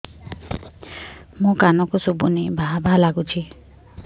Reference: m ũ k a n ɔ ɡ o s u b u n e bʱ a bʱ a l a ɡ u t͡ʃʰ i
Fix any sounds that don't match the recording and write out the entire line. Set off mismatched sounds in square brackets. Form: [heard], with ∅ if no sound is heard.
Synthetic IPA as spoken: m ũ k a n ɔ [k] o s u b u n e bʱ a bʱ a l a ɡ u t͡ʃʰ i